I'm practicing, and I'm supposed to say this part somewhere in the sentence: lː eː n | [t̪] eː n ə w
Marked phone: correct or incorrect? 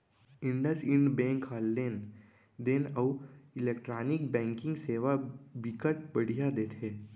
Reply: incorrect